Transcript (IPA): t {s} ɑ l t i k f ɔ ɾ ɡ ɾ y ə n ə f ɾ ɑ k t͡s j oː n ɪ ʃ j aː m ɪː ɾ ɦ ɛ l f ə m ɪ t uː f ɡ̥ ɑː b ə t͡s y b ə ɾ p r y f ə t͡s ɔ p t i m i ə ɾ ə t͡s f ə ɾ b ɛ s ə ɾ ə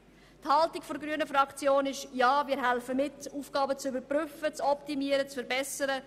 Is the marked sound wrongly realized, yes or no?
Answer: yes